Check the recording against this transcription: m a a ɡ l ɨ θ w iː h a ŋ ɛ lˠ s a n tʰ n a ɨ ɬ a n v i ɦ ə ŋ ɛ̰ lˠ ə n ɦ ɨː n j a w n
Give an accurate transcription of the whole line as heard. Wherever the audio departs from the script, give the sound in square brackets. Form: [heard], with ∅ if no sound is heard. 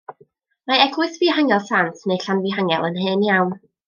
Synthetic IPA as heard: m a [ɛ] ɡ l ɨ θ [v] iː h a ŋ ɛ lˠ s a n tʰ n [e] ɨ ɬ a n v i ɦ [a] ŋ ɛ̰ lˠ ə n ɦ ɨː n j a w n